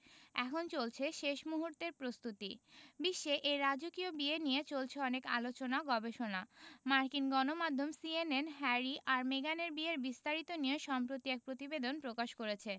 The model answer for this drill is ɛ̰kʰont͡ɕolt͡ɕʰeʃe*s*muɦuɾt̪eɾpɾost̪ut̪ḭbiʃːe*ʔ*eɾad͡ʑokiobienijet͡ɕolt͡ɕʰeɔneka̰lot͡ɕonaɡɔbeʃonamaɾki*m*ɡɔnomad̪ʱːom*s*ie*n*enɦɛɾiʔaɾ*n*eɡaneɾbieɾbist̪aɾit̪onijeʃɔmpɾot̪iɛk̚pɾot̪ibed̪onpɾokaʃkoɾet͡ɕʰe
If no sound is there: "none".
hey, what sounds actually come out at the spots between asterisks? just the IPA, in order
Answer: ʃ, ʔ, n, s, n, m

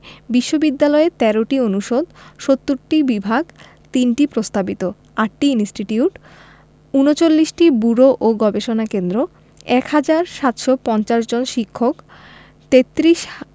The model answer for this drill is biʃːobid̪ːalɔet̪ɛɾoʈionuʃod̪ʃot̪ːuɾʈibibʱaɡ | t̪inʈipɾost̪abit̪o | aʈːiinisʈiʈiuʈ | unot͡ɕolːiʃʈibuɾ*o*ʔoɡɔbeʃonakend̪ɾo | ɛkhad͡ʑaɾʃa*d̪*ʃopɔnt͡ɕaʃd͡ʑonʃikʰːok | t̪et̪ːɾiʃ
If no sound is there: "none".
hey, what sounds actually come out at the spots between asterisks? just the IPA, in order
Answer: o, t̪

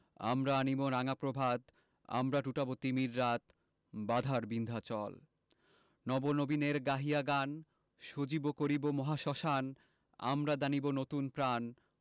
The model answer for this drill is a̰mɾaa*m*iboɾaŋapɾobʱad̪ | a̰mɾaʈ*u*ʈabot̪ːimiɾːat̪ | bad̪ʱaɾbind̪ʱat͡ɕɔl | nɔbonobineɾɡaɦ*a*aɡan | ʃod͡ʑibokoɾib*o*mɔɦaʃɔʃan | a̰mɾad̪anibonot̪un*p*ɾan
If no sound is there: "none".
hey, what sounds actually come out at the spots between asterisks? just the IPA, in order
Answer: n, u, i, o, p

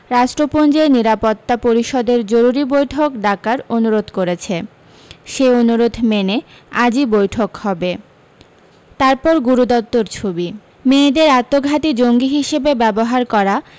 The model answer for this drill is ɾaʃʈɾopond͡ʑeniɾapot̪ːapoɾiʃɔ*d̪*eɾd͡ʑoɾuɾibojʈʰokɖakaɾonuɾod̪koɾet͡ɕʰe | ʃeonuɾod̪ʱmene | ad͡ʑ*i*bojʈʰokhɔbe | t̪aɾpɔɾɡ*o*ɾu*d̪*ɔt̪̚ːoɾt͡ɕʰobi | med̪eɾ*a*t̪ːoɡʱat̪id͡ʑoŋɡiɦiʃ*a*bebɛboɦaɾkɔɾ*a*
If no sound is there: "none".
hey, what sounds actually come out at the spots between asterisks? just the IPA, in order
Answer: d̪, i, u, d̪, a, e, a

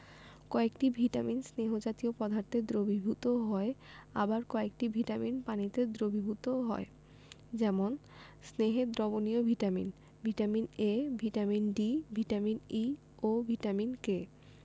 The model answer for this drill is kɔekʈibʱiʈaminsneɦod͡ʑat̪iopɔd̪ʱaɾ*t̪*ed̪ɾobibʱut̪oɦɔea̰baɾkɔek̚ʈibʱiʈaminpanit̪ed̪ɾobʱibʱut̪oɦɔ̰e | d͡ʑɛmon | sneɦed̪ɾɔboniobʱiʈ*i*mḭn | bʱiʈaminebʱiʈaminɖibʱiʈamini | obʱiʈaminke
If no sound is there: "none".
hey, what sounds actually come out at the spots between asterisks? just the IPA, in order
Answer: t̪, a

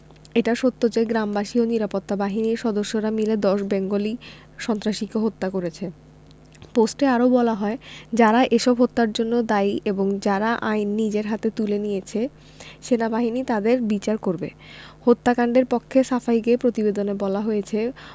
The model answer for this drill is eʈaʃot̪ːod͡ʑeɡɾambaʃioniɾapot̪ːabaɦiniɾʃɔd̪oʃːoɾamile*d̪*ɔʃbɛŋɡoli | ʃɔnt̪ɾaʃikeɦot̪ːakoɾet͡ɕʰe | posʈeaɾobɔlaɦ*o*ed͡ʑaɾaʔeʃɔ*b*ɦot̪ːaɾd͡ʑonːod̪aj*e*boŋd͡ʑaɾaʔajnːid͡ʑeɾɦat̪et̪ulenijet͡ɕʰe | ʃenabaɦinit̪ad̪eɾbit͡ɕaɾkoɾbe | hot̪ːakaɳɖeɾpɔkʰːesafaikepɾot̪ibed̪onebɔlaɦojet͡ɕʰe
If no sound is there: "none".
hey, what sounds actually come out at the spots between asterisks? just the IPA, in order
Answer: d̪, ɔ, b, e

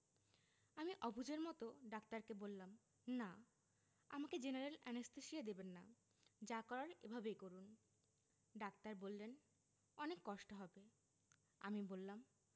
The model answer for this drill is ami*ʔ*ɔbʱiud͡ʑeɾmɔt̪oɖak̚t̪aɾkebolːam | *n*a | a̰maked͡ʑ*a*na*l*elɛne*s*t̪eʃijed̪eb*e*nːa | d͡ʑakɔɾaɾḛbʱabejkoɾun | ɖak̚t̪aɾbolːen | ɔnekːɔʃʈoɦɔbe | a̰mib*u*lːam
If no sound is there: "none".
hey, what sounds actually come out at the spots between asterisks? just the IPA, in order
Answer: ʔ, n, e, ɾ, s, e, o

